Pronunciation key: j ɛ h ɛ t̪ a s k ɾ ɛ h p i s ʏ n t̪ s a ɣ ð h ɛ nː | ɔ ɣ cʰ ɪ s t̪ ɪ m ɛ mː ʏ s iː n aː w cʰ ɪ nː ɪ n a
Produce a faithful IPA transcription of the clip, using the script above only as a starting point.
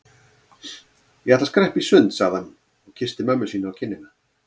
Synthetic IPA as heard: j ɛ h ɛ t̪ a s k ɾ ɛ h p i s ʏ n t̪ s a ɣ ð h a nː | ɔ ɣ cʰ ɪ s t̪ ɪ m œ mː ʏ s iː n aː w cʰ ɪ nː ɪ n a